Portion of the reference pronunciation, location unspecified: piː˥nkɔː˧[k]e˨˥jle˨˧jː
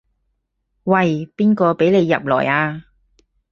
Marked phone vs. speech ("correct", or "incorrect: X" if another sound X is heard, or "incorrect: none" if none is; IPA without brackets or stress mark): incorrect: p